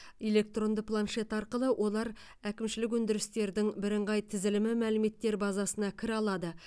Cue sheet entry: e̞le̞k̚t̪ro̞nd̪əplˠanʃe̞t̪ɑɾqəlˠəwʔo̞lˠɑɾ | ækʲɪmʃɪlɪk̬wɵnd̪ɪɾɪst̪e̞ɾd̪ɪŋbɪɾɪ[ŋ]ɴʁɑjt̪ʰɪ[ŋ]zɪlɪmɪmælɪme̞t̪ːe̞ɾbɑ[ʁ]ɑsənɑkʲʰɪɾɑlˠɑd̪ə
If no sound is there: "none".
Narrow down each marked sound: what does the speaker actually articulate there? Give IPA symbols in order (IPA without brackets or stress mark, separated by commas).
none, none, z